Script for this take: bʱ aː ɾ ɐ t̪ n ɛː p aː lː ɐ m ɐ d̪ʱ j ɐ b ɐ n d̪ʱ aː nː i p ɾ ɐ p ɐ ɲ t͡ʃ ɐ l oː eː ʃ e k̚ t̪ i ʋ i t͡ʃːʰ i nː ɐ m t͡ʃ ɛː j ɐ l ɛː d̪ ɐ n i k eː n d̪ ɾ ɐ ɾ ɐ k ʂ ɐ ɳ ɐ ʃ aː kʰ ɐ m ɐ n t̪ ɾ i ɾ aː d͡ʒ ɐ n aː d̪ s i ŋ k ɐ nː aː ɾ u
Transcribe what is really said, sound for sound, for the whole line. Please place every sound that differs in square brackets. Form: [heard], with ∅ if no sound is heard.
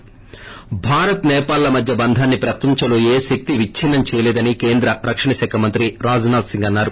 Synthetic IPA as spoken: bʱ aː ɾ ɐ t̪ n ɛː p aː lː ɐ m ɐ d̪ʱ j ɐ b ɐ n d̪ʱ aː nː i p ɾ ɐ p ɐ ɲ t͡ʃ ɐ l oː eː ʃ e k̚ t̪ i ʋ i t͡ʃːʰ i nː ɐ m t͡ʃ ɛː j ɐ l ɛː d̪ ɐ n i k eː n d̪ ɾ ɐ ɾ ɐ k ʂ ɐ ɳ ɐ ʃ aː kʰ ɐ m ɐ n t̪ ɾ i ɾ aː d͡ʒ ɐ n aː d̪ s i ŋ [ɡ] ɐ nː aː ɾ u